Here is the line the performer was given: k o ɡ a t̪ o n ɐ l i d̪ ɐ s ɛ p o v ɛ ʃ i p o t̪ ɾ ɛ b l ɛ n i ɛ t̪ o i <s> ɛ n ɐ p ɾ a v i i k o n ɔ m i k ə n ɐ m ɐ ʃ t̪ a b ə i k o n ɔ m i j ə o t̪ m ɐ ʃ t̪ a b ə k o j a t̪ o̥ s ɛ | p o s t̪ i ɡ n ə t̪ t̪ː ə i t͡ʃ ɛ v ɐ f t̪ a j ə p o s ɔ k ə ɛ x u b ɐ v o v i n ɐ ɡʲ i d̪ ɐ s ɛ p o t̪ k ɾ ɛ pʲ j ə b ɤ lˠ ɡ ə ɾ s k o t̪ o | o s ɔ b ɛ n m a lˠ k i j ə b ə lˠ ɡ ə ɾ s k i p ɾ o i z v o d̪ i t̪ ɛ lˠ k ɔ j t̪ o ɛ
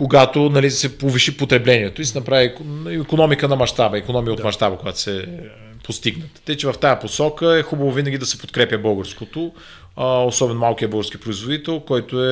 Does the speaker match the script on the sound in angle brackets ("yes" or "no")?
yes